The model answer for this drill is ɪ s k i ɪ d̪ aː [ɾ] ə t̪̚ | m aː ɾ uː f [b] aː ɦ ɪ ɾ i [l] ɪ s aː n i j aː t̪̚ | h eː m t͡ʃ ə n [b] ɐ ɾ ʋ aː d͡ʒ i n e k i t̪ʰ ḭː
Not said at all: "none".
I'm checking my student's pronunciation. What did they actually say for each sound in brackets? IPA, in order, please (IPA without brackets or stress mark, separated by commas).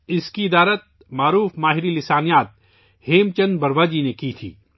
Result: ɾ, m, l, b